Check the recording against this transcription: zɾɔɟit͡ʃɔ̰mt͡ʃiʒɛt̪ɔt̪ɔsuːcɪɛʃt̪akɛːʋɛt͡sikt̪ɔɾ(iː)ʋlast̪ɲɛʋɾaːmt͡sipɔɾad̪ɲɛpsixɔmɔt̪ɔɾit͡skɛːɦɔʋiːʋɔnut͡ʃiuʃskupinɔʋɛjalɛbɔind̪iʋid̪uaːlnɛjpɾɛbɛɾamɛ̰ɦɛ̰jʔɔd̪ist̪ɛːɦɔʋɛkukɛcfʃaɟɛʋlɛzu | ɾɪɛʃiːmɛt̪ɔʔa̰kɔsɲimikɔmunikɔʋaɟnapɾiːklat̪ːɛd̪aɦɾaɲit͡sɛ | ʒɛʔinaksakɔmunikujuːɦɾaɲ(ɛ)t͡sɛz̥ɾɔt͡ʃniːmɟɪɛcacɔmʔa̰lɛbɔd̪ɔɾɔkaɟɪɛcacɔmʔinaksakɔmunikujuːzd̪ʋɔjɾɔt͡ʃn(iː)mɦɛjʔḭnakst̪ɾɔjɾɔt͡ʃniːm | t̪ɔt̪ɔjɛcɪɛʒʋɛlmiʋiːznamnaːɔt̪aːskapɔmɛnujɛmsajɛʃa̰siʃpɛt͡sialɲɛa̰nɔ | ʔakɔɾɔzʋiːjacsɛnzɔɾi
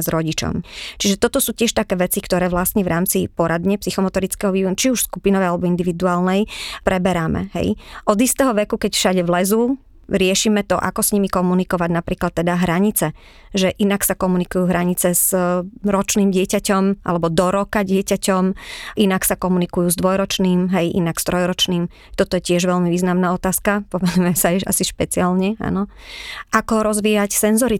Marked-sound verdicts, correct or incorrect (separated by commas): incorrect, incorrect, correct